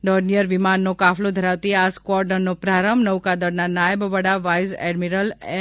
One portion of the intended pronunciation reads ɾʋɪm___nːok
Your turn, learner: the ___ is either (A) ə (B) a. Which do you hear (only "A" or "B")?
B